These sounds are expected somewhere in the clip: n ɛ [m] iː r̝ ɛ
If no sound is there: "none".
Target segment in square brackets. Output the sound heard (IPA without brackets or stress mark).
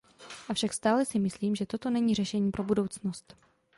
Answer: ɲ